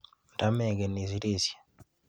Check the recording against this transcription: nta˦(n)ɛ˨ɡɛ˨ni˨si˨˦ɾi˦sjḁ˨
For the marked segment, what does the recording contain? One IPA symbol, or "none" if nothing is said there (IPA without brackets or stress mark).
m